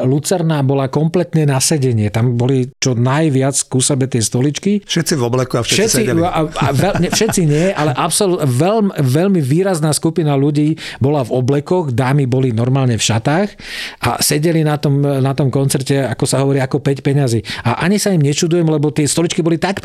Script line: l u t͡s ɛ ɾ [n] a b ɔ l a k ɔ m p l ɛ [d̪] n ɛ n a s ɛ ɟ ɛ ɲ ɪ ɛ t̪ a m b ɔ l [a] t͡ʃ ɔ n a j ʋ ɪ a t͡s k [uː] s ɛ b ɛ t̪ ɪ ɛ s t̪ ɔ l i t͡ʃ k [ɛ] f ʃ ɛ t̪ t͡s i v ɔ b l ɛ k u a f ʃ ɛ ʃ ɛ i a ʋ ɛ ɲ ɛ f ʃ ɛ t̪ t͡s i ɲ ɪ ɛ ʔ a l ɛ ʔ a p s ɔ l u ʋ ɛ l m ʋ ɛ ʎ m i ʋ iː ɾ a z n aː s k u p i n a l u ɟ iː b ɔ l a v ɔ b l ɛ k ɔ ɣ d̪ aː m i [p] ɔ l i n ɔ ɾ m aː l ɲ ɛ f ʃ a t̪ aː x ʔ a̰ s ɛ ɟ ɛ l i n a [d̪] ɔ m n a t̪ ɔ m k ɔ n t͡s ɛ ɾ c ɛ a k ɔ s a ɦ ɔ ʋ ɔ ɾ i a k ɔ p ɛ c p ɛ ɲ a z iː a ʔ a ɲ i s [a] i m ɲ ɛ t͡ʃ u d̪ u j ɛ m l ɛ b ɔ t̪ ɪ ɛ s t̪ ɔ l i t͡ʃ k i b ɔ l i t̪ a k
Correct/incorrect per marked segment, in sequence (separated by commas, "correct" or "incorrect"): correct, incorrect, incorrect, incorrect, incorrect, incorrect, incorrect, correct